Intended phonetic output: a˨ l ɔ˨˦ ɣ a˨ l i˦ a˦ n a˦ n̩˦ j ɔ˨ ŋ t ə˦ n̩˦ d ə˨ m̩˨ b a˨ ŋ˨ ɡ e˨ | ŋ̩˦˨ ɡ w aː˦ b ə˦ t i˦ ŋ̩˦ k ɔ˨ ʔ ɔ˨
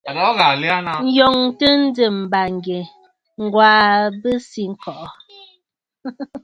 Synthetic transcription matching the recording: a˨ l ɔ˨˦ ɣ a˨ l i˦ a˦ n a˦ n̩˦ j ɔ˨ ŋ t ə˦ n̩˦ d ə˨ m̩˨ b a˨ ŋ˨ ɡ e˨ | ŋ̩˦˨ ɡ w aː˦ b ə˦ s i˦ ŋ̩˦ k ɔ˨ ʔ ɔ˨

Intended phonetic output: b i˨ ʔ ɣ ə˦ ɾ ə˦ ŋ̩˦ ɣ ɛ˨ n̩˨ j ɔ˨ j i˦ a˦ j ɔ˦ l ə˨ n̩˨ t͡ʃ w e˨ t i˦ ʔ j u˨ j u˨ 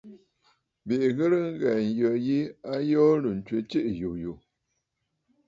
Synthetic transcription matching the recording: b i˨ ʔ ɣ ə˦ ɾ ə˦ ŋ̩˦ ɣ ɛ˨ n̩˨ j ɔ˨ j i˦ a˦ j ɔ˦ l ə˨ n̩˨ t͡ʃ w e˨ t͡ʃ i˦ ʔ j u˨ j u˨

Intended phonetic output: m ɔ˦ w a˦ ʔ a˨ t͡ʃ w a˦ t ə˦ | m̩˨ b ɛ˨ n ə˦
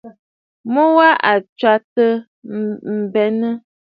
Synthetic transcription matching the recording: m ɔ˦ w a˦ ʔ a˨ t͡ʃ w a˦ t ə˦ | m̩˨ b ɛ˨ n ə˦

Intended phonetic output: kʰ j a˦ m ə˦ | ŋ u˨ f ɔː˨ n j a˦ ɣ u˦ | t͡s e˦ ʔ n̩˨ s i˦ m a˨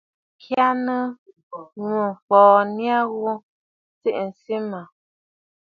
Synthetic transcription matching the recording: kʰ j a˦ n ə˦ | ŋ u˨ f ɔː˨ n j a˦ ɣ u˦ | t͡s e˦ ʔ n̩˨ s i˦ m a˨

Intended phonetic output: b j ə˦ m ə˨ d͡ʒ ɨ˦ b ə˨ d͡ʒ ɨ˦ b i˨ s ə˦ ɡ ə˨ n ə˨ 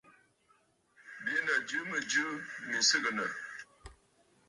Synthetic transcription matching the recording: b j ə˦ n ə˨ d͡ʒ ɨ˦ m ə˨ d͡ʒ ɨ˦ m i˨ s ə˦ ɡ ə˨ n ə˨

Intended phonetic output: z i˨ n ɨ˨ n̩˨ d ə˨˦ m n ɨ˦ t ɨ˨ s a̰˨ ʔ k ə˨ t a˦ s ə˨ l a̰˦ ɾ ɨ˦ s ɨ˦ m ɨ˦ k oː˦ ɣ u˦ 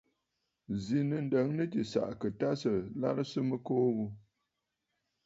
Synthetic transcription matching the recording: z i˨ n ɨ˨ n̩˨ d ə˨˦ ŋ n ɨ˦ t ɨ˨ s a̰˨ ʔ k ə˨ t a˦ s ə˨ l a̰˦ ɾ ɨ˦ s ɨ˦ m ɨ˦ k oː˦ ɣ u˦

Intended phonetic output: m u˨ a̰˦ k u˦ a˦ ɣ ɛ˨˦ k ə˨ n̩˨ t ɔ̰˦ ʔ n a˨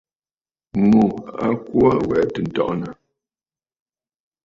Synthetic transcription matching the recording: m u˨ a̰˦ k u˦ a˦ w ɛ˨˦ t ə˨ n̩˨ t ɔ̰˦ ʔ n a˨

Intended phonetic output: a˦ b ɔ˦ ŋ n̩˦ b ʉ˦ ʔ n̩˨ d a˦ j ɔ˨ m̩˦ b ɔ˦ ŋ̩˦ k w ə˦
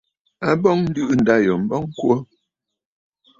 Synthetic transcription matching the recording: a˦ b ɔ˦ ŋ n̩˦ d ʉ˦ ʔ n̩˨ d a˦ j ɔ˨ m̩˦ b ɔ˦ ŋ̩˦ k w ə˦

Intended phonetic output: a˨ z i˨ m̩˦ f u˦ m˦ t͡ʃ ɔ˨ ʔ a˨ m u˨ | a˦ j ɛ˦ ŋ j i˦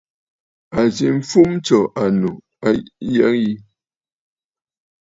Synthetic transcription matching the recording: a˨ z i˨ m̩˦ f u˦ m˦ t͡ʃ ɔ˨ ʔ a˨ n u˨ | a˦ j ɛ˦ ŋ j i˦

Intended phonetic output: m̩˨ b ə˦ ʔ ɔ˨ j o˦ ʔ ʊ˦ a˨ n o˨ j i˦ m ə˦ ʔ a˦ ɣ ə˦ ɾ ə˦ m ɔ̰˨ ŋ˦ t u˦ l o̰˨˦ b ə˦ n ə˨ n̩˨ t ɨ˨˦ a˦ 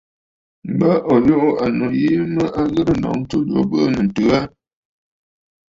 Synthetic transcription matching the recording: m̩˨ b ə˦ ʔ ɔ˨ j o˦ ʔ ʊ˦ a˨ n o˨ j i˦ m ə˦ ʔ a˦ ɣ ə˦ ɾ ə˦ n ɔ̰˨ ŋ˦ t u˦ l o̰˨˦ b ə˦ n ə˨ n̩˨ t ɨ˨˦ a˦

